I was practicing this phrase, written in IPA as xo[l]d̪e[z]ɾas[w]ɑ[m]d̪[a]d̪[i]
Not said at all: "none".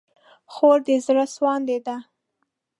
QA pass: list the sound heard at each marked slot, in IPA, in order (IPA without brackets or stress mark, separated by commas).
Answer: ɾ, z, w, n, e, a